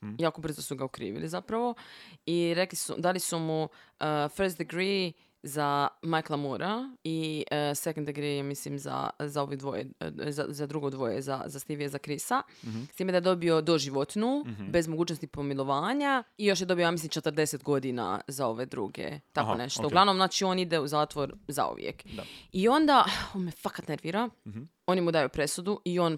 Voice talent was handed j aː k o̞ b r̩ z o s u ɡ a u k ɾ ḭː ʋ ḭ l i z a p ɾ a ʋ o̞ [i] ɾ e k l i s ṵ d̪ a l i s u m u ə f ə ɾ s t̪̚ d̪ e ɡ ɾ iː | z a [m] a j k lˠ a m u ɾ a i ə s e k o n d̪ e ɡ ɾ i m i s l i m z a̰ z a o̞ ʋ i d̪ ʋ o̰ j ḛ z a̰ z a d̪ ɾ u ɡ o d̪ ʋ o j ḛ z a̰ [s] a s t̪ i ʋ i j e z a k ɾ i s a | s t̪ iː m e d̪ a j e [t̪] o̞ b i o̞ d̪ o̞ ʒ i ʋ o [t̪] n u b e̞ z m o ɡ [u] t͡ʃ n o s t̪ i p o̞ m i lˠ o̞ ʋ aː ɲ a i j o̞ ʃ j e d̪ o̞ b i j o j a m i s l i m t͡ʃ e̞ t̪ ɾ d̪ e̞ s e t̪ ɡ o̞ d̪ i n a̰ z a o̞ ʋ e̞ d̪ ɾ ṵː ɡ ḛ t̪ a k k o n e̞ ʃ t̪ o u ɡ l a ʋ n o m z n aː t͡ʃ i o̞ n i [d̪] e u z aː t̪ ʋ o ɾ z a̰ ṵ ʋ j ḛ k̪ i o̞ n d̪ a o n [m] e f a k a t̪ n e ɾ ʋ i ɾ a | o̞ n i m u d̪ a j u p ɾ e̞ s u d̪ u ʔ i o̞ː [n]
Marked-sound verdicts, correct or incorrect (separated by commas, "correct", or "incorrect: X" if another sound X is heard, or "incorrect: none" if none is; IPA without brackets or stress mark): correct, correct, incorrect: z, incorrect: d̪, correct, incorrect: uː, correct, correct, correct